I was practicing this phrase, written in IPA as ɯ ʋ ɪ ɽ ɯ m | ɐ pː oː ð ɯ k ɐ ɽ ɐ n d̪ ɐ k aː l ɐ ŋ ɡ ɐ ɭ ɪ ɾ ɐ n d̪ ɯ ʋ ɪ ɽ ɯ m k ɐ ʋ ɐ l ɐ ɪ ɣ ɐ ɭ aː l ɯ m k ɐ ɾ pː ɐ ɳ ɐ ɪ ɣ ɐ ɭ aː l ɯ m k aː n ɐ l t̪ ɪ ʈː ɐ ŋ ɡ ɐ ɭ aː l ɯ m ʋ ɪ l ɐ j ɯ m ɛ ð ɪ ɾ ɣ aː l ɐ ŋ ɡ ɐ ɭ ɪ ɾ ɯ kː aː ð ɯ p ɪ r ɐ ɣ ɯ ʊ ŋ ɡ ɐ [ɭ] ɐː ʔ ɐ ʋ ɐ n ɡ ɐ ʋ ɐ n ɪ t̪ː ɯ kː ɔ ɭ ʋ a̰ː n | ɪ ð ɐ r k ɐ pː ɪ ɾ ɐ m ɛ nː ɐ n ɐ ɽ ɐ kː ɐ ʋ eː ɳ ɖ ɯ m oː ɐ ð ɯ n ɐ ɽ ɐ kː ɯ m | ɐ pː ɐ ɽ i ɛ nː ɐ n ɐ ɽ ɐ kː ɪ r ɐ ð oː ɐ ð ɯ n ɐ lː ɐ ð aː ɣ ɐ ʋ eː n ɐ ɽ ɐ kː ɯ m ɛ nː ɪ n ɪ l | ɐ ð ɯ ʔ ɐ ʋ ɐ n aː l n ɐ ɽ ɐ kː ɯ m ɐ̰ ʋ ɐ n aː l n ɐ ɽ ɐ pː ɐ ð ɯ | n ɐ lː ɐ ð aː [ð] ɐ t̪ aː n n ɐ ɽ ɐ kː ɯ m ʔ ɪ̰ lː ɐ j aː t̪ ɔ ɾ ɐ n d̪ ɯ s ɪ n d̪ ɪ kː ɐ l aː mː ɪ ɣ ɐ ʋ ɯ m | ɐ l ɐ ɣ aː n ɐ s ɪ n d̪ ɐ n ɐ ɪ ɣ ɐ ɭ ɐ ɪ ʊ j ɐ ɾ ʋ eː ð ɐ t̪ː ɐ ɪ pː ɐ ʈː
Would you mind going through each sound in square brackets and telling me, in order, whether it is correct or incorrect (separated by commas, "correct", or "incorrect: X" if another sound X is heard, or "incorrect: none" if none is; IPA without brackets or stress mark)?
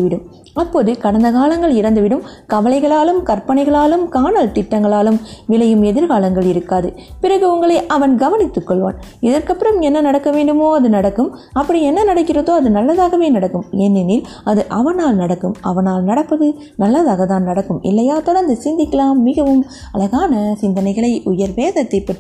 correct, incorrect: ɣ